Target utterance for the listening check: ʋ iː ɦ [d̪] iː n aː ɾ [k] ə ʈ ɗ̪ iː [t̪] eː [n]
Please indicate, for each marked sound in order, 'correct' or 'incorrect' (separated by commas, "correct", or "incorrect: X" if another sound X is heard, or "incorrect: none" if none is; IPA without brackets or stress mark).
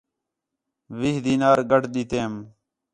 correct, incorrect: ɡ, correct, incorrect: m